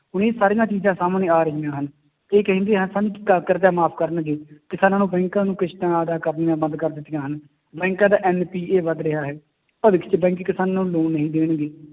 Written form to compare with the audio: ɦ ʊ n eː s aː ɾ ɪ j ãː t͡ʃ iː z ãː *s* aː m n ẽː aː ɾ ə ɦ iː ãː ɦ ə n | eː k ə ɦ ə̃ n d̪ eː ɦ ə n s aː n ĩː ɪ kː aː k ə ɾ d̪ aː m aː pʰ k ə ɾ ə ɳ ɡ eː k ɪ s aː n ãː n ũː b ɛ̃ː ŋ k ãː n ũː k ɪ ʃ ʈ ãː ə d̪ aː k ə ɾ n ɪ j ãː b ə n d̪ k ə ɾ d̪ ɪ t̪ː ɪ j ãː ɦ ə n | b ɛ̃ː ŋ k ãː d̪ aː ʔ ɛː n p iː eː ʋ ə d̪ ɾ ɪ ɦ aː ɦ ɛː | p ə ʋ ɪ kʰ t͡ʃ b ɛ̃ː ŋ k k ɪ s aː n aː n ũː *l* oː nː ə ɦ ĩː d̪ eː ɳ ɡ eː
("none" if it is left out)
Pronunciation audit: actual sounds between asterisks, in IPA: s, l

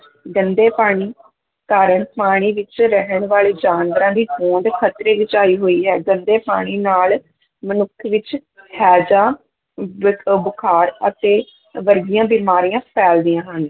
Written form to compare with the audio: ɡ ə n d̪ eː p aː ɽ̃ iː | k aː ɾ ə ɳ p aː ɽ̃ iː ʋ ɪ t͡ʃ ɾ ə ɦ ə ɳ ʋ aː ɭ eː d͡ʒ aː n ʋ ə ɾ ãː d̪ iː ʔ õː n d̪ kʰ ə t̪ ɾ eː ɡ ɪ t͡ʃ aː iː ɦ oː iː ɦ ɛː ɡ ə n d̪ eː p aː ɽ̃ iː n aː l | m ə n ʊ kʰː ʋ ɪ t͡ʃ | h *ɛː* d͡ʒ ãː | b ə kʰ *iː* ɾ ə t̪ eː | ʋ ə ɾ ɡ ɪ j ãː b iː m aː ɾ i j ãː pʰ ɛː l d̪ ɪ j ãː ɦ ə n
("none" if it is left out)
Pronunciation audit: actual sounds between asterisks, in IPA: ɛː, aː

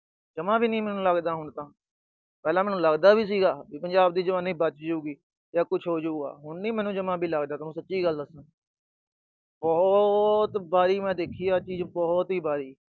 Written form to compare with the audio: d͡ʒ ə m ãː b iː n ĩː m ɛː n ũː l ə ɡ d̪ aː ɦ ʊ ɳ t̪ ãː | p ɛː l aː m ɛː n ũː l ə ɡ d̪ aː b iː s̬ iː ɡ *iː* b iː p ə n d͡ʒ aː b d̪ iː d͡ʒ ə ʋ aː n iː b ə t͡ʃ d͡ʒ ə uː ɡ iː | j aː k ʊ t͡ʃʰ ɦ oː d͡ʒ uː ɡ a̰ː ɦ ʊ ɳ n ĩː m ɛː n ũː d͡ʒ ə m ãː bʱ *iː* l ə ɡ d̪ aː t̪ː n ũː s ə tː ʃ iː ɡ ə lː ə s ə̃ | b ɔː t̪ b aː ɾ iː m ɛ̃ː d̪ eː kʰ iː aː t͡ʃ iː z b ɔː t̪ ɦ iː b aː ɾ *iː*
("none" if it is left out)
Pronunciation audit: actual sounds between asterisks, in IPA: aː, iː, iː

